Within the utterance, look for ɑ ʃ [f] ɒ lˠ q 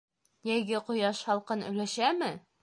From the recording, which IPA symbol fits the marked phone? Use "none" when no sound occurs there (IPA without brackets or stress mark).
h